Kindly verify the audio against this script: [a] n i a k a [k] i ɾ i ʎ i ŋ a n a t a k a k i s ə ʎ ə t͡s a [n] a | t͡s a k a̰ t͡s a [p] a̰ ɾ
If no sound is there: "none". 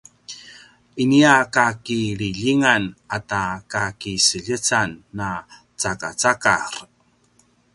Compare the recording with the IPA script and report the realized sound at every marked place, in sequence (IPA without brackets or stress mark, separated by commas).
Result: i, k, nː, k